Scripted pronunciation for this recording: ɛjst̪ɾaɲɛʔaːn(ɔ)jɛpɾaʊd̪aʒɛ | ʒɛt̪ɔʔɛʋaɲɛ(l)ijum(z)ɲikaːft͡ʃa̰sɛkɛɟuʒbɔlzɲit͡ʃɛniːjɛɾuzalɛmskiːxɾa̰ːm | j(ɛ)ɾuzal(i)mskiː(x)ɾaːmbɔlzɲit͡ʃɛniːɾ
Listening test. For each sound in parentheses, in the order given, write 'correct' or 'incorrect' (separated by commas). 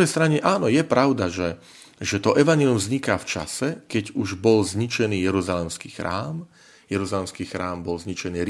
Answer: correct, correct, correct, correct, incorrect, correct